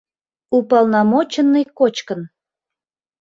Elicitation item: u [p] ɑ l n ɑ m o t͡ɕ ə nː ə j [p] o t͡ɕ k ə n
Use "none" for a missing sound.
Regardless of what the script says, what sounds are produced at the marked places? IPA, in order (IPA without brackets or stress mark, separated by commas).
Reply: p, k